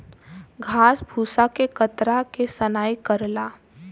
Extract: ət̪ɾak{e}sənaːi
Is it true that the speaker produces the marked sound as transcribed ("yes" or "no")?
yes